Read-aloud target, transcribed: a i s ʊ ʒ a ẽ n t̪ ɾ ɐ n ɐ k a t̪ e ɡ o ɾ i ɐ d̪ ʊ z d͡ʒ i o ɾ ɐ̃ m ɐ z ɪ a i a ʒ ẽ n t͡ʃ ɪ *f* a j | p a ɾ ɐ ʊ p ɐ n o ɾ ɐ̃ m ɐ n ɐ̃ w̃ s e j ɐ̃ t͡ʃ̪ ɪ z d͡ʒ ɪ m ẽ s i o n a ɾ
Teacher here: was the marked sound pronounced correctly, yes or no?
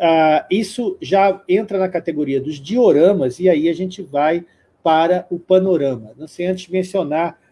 no